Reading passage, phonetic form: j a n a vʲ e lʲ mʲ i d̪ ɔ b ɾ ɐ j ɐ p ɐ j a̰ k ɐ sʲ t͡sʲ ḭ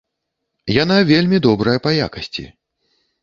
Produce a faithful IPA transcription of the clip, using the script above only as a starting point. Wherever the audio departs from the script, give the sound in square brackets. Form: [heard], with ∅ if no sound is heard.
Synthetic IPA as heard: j a n a vʲ e lʲ mʲ i d̪ ɔ b ɾ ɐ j ɐ p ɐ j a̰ k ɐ sʲ t͡sʲ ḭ